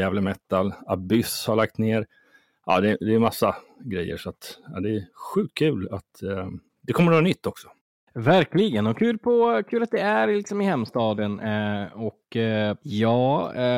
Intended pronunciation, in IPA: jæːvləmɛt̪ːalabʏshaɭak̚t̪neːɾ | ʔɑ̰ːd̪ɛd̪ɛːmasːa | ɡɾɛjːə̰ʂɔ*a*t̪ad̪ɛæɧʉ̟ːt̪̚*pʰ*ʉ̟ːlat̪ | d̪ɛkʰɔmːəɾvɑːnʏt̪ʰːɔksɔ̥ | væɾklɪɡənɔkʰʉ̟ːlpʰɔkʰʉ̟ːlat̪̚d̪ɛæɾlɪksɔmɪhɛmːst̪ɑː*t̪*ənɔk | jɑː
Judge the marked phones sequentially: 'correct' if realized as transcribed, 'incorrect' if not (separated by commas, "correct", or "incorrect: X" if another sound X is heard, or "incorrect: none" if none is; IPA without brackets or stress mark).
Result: correct, incorrect: kʰ, incorrect: d̪